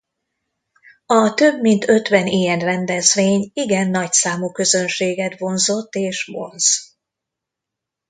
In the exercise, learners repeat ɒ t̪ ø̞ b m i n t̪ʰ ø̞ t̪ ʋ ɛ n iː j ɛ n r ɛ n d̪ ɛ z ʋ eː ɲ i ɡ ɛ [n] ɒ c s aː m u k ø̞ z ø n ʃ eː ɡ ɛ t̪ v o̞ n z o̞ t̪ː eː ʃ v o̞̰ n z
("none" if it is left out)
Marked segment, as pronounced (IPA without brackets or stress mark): nː